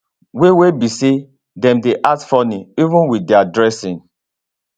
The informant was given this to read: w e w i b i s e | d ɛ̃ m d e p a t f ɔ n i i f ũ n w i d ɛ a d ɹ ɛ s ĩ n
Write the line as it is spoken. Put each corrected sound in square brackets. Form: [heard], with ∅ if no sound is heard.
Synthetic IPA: w e w [e] b i s e | d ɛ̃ m d e [ʔ] a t f ɔ n i i [v] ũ n w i d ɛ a d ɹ ɛ s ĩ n